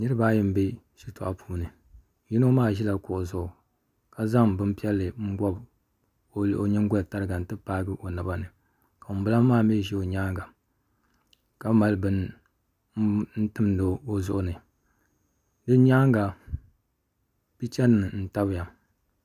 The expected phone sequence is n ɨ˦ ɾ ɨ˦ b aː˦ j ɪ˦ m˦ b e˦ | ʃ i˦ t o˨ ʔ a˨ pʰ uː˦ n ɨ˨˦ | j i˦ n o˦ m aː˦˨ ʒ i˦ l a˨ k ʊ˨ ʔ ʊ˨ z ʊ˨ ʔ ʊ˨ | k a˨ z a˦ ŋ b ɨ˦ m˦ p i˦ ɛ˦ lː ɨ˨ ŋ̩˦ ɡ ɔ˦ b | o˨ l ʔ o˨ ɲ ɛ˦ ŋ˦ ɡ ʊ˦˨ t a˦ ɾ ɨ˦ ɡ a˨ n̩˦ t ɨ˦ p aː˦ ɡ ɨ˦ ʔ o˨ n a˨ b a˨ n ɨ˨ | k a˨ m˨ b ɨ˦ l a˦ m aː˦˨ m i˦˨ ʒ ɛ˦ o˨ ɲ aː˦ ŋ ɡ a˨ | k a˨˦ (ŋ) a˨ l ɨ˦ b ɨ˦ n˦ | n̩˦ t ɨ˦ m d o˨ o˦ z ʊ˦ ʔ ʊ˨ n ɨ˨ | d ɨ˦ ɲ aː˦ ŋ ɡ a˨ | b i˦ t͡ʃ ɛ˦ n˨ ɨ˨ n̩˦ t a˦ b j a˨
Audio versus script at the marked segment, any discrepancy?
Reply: yes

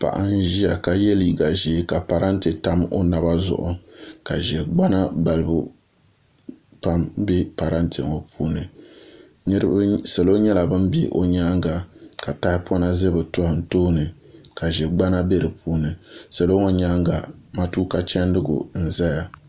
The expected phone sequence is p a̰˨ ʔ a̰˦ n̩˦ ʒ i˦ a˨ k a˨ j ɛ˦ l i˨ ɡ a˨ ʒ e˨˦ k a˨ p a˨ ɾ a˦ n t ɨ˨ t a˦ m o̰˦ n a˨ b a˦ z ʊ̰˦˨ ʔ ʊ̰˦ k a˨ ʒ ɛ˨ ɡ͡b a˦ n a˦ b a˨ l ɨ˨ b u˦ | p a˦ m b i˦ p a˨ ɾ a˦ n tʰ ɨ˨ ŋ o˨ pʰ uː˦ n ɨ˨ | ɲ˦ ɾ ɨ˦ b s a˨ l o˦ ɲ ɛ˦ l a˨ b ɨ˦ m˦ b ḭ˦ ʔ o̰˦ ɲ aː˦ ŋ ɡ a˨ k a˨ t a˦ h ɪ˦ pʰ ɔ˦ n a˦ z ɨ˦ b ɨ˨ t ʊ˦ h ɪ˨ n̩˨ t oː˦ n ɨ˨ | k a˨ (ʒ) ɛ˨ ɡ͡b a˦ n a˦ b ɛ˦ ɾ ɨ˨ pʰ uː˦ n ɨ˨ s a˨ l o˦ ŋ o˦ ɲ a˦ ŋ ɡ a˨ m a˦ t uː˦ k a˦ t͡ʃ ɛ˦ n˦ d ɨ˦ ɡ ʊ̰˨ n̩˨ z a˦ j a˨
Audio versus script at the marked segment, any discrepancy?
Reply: no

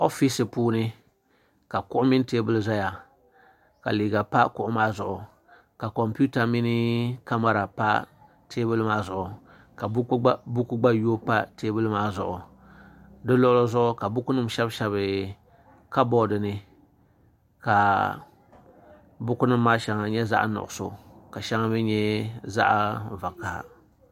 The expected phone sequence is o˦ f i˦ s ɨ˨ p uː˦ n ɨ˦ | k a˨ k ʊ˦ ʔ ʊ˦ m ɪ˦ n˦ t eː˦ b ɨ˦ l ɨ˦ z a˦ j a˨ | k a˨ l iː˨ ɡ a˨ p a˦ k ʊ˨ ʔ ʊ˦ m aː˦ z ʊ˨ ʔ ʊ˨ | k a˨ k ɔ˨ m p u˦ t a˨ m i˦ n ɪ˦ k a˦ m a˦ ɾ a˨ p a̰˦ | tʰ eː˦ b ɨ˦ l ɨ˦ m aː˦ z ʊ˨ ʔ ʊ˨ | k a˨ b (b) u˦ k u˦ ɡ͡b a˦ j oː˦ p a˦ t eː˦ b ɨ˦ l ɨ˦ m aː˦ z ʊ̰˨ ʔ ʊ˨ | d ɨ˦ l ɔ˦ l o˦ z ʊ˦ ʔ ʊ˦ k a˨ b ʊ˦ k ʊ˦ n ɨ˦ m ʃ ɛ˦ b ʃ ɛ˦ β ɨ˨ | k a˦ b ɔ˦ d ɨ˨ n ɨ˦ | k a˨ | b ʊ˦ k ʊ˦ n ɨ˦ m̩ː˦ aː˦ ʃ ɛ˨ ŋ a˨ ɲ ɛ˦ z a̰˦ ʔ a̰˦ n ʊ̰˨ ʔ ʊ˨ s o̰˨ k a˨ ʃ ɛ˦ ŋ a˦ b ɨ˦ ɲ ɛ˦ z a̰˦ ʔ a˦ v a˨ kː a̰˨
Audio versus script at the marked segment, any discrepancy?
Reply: no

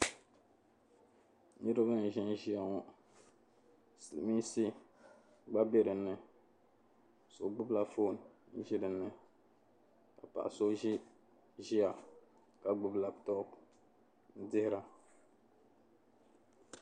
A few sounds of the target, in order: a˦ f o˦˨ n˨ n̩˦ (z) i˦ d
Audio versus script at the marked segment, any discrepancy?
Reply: yes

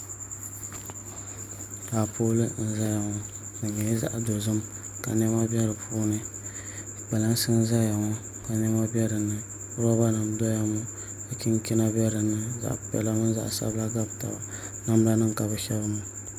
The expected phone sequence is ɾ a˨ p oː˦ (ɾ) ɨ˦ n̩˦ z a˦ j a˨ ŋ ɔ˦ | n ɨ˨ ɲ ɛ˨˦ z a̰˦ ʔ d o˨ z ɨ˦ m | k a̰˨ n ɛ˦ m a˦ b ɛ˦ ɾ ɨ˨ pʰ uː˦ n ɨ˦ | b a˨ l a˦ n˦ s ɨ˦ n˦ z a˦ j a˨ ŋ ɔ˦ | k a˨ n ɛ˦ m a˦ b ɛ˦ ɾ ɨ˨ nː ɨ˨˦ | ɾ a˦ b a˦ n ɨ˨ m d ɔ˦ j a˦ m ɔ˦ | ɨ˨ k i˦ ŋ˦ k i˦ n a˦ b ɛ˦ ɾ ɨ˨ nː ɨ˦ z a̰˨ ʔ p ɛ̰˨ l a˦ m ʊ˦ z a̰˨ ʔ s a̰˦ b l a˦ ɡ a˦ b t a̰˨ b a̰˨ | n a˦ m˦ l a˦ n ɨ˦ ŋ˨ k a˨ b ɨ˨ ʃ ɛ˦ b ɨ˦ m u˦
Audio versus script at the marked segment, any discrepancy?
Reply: yes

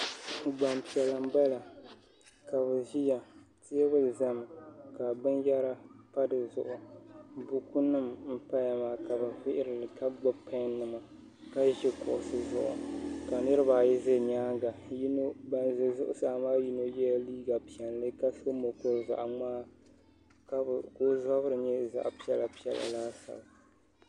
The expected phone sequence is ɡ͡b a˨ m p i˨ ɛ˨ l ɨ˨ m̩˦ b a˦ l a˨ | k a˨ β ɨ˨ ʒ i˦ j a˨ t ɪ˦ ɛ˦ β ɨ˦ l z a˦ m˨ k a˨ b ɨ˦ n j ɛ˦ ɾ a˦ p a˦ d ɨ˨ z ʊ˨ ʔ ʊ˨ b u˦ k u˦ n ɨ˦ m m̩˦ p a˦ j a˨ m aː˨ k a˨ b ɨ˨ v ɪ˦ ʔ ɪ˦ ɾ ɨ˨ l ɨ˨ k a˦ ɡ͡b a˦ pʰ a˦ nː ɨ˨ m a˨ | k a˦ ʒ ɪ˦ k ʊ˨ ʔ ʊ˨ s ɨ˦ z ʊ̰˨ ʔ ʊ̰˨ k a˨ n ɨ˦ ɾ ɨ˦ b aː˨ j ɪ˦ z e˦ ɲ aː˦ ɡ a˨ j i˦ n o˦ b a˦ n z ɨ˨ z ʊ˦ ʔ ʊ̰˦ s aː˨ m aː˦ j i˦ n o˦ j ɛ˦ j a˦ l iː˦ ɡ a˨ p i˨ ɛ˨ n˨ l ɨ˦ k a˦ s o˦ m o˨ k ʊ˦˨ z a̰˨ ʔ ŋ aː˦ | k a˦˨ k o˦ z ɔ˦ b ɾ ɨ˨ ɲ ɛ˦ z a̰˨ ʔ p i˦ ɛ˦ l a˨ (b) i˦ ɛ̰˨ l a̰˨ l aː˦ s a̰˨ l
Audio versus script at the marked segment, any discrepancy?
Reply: yes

